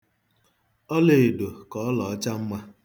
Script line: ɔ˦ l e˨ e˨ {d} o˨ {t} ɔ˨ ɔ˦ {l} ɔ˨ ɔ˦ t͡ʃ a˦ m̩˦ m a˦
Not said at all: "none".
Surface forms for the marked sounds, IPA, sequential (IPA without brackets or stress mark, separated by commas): d, k, l